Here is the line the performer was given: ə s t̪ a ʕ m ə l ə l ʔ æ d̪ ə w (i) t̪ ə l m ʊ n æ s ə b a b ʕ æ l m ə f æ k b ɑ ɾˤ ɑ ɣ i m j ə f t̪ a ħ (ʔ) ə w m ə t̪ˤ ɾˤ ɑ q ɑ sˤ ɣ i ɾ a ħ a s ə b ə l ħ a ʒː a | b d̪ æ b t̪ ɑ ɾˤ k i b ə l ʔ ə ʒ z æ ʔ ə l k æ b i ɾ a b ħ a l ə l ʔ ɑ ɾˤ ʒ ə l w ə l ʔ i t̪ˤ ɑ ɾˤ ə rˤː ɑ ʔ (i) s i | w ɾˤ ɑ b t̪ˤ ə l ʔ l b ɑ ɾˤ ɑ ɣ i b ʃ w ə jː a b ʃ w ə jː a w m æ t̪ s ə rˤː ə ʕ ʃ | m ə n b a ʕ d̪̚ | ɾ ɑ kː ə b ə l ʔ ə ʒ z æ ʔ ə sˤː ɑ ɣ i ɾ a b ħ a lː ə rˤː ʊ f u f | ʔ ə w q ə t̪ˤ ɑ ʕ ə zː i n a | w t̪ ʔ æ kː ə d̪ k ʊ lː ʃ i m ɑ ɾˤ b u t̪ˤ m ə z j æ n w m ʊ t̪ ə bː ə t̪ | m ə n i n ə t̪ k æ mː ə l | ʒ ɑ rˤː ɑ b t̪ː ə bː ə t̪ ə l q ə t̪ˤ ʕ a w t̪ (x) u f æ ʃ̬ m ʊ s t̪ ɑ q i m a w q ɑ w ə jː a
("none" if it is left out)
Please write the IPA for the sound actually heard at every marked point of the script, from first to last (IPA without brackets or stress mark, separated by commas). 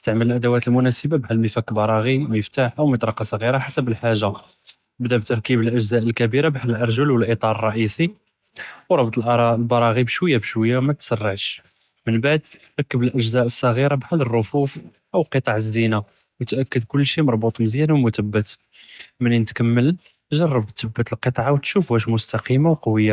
æ, ʔ, i, ʃ